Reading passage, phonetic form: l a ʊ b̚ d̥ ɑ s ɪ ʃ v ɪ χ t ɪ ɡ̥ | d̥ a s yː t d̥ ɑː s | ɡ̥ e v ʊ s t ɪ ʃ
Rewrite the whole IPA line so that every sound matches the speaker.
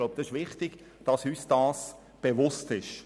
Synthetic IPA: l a ʊ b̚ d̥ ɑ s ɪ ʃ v ɪ χ t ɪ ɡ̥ | d̥ ɑ s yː s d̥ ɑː s | b̥ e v ʊ s t ɪ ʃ